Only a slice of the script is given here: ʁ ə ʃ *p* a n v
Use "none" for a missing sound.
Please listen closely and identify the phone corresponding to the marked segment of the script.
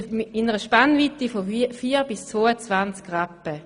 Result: p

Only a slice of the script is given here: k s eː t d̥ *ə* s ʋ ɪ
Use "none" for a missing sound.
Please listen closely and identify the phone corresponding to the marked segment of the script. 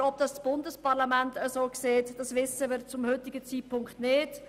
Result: ɑ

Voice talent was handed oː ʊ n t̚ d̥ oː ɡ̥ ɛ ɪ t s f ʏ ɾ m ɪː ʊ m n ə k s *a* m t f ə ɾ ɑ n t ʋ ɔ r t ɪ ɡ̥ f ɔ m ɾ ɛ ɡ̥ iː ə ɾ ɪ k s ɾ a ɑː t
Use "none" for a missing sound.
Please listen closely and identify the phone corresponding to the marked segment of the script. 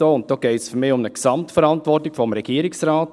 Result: ɑ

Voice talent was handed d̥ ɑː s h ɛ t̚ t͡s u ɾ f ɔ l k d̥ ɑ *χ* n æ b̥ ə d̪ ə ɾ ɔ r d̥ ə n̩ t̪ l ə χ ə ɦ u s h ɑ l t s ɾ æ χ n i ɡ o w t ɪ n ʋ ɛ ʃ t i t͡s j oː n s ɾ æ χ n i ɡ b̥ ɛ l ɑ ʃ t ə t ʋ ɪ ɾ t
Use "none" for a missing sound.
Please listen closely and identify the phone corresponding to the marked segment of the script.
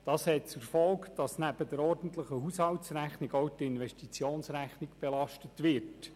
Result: s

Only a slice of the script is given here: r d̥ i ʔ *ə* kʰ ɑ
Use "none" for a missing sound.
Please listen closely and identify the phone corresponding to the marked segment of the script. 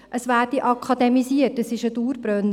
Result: ɑ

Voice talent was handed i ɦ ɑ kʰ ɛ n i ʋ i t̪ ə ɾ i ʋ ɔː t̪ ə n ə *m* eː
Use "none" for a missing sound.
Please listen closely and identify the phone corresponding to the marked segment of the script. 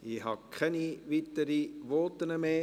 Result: m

